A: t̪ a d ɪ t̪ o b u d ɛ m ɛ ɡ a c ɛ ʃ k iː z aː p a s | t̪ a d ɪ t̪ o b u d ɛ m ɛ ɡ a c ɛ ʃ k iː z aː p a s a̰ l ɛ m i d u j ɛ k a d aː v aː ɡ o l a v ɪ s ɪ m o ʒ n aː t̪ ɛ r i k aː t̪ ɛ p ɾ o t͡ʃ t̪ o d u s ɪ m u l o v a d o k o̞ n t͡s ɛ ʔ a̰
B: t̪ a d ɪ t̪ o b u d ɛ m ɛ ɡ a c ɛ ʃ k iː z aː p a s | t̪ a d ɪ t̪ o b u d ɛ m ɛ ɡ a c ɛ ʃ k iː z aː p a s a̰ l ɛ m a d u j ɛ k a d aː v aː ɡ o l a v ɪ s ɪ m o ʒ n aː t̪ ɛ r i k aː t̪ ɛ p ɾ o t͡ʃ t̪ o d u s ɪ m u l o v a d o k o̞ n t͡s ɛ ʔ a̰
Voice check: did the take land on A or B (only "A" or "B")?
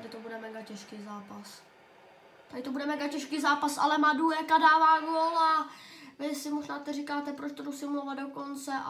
B